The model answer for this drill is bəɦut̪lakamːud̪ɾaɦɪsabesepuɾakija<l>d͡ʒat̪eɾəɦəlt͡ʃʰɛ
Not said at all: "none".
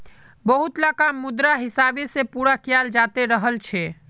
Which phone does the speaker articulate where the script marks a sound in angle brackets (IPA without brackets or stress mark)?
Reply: l